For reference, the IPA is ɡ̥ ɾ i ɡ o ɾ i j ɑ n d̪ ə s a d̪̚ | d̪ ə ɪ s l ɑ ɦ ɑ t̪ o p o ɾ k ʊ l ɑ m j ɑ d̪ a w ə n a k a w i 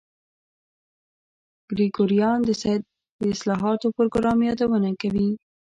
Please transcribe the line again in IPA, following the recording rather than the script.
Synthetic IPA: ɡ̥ ɾ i ɡ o ɾ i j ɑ n d̪ ə s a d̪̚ | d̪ ə ɪ s l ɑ ɦ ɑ t̪ o p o ɾ ɡ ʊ ɾ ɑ m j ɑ d̪ a w ə n a k a w i